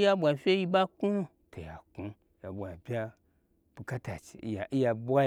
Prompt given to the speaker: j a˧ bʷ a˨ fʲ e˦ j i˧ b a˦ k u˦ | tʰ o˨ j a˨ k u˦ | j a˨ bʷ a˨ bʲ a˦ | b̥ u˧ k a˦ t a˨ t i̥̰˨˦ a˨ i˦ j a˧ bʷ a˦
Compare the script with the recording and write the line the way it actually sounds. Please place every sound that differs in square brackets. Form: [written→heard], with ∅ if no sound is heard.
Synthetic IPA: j a˧ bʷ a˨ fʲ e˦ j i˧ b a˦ k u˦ | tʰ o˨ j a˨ k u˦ | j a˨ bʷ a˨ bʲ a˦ | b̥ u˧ k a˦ t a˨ [t→t͡ʃ] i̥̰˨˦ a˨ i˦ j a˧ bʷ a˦